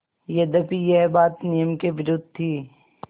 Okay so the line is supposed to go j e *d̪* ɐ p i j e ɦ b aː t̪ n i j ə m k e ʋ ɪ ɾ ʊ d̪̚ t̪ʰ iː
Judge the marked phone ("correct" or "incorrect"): correct